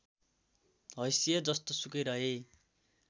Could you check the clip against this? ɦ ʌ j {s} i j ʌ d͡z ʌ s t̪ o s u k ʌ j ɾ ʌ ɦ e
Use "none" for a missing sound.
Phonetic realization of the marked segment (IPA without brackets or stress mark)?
s